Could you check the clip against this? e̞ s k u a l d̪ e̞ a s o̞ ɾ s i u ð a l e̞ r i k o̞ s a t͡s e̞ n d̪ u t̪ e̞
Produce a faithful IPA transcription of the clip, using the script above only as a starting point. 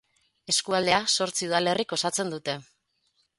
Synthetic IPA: e̞ s k u a l d̪ e̞ a s o̞ ɾ t͡s i u ð a l e̞ r i k o̞ s a t͡s e̞ n d̪ u t̪ e̞